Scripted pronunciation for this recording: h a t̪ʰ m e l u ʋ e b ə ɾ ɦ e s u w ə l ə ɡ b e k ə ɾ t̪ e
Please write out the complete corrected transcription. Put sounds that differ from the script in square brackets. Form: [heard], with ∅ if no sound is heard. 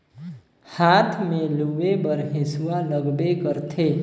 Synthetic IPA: h a t̪ʰ m e l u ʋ e b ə ɾ ɦ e s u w [a] l ə ɡ b e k ə ɾ [t̪ʰ] e